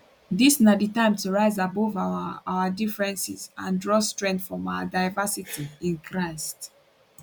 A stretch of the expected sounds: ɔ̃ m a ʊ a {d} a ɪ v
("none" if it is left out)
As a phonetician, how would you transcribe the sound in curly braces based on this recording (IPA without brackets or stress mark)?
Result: d